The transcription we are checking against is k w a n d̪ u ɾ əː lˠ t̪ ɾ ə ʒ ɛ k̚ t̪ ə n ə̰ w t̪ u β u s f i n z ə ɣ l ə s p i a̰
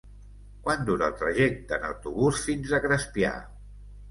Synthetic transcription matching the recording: k w a n d̪ u ɾ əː lˠ t̪ ɾ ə ʒ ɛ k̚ t̪ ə n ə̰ w t̪ u β u s f i n z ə ɣ ɾ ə s p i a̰